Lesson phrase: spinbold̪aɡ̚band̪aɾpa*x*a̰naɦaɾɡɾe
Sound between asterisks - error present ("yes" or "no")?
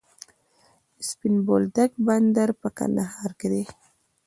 yes